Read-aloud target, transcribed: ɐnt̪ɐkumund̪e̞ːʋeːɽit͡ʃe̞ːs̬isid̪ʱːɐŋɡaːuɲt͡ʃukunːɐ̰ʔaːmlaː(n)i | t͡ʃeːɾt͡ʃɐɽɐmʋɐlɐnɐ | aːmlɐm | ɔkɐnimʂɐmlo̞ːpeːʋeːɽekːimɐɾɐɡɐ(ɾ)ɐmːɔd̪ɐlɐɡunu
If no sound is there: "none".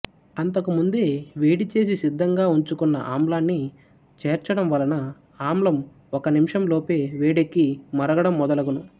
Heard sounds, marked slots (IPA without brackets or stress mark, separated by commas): nː, ɽ